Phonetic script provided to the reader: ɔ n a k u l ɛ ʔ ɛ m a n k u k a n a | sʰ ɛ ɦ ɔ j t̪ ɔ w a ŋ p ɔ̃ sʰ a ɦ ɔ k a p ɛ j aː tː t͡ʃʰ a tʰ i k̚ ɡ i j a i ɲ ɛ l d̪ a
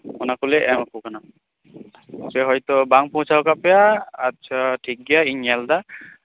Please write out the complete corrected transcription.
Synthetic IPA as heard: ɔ n a k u l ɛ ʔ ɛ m a k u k a n a | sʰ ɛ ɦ ɔ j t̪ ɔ b a ŋ p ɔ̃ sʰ a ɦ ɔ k a p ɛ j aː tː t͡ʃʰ a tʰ i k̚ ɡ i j a i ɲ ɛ l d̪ a